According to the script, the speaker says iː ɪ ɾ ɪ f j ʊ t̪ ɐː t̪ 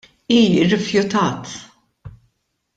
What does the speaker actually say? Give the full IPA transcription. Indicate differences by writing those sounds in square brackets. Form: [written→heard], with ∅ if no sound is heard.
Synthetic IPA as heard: iː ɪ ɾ ɪ f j ʊ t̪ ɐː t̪